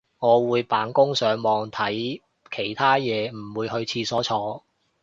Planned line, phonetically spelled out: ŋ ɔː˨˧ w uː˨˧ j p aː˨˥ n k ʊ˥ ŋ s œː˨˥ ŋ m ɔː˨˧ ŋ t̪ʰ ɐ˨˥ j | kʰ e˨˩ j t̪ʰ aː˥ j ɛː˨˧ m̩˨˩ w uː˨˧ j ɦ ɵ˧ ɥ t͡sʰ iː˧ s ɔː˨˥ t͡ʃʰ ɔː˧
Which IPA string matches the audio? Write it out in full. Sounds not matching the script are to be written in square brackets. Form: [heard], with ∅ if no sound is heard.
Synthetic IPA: ŋ ɔː˨˧ w uː˨˧ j p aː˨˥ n k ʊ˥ ŋ s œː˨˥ ŋ m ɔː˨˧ ŋ t̪ʰ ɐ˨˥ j | kʰ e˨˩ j t̪ʰ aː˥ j ɛː˨˧ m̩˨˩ w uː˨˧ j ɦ ɵ˧ ɥ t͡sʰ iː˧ s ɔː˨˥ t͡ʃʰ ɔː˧